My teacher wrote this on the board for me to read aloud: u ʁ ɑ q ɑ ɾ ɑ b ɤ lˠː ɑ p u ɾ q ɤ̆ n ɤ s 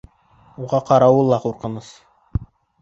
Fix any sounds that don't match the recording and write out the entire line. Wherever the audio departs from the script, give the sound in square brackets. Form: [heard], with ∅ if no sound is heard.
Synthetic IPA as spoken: u ʁ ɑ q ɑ ɾ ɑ [w] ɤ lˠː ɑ [q] u ɾ q ɤ̆ n ɤ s